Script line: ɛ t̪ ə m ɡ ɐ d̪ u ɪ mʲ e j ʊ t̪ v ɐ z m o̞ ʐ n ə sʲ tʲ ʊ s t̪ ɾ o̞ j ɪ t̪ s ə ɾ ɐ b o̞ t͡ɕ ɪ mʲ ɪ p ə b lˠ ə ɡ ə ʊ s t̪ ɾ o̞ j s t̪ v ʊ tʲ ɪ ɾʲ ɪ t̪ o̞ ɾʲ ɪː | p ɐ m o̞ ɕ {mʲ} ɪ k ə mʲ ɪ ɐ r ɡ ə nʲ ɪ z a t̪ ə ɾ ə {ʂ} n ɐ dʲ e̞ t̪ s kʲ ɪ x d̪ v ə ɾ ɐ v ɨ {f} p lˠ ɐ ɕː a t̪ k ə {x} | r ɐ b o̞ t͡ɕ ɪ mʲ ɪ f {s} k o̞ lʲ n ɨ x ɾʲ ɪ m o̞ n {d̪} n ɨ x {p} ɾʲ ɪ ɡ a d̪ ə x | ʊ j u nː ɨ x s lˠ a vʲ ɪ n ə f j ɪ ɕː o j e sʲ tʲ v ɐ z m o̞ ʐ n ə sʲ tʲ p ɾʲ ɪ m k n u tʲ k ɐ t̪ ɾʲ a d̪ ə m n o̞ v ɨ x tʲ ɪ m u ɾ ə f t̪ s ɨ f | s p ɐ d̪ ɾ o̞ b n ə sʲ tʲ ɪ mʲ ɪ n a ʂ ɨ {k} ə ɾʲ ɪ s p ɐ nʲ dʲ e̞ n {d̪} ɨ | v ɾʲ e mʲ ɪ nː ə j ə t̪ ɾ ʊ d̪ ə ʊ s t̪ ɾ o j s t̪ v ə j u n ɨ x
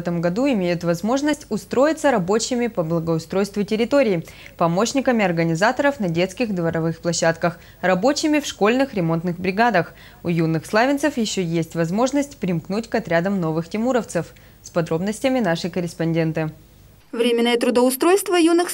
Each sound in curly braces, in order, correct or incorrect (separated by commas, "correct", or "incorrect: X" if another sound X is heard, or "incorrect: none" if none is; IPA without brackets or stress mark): incorrect: nʲ, incorrect: f, incorrect: x, correct, incorrect: ʂ, incorrect: t̪, incorrect: b, correct, incorrect: t̪